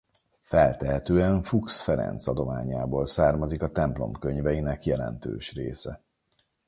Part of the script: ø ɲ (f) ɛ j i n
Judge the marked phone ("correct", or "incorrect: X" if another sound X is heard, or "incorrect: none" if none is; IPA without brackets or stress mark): incorrect: v